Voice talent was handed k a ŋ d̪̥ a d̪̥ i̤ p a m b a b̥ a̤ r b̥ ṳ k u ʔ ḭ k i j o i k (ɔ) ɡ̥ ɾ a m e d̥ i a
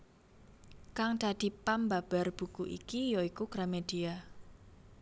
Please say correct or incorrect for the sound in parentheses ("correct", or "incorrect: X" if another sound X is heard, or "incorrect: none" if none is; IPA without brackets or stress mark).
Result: incorrect: u